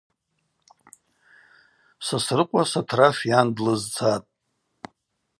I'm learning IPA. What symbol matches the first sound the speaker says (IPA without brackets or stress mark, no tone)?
s